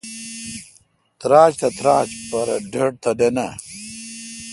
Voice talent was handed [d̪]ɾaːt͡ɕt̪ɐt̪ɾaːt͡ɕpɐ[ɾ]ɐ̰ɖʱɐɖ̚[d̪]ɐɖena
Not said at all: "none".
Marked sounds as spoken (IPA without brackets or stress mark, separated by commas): t̪, ɾ, t̪